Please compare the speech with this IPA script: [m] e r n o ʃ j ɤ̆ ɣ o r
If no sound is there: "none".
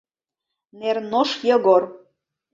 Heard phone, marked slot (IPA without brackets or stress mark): n